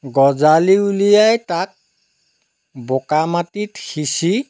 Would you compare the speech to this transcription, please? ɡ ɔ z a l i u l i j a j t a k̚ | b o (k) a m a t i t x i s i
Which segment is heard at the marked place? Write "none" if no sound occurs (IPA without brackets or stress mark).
k